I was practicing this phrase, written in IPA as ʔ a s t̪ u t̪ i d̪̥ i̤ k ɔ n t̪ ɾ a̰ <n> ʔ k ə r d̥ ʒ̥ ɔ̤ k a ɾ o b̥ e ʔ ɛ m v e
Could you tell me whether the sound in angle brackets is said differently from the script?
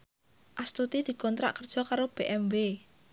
yes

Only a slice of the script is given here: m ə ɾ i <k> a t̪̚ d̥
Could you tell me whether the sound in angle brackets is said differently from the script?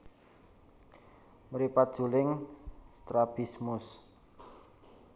yes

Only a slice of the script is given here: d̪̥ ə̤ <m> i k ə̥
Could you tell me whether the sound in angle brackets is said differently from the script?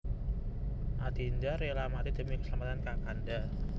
no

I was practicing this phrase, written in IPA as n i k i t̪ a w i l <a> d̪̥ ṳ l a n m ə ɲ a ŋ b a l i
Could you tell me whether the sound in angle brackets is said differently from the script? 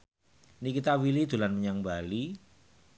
yes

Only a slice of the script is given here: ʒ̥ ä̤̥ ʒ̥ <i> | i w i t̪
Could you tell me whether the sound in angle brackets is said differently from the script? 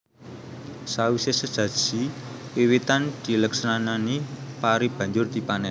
no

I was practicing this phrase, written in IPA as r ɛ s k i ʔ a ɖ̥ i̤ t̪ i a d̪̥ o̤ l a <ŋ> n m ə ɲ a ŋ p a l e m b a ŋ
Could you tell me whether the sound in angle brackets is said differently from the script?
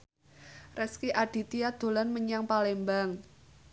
yes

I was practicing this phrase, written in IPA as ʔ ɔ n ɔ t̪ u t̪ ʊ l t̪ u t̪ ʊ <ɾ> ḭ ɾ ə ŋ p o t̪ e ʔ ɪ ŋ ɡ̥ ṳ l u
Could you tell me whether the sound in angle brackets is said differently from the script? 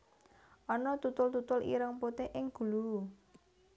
yes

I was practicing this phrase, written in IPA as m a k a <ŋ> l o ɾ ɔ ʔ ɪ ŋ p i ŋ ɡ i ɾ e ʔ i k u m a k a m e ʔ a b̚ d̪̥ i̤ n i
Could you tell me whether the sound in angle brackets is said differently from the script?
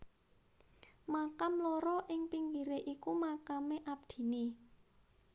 yes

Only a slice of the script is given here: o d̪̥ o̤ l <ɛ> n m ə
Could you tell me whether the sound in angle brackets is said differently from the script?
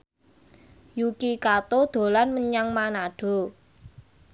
yes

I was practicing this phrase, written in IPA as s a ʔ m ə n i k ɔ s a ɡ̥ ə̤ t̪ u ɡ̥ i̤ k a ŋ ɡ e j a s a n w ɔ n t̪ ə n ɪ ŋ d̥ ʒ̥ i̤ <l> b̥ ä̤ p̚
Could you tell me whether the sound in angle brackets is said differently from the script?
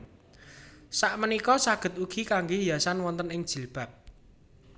no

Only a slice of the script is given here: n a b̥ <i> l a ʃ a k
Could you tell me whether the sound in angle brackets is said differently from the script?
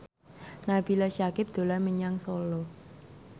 no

